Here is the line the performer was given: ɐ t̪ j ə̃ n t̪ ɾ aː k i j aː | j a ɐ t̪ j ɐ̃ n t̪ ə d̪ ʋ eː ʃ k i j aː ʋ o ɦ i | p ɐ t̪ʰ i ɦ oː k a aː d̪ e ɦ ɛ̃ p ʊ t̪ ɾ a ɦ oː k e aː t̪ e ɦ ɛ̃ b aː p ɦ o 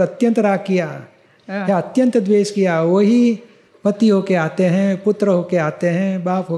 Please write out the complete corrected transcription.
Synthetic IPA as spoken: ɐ t̪ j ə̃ n t̪ ɾ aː k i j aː | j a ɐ t̪ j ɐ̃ n t̪ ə d̪ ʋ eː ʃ k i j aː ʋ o ɦ i | p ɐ t̪ i ɦ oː k e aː t̪ e ɦ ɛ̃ p ʊ t̪ ɾ ə ɦ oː k e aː t̪ e ɦ ɛ̃ b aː p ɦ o